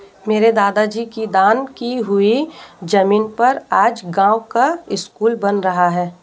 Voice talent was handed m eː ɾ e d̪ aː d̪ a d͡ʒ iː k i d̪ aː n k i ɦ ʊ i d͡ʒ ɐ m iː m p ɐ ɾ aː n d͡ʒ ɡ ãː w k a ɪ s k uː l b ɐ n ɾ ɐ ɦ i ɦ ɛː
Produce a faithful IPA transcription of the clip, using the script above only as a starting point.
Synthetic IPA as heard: m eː ɾ e d̪ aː d̪ a d͡ʒ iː k i d̪ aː n k i ɦ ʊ i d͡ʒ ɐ m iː n p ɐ ɾ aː d͡ʒ ɡ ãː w k a ɪ s k uː l b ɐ n ɾ ɐ ɦ a ɦ ɛː